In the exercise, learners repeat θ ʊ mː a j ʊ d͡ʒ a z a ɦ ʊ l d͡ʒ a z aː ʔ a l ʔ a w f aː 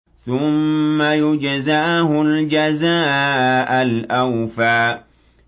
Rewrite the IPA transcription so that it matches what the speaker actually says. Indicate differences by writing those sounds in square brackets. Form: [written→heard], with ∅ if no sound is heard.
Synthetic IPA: θ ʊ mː a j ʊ d͡ʒ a z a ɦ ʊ l d͡ʒ a z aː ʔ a l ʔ a w f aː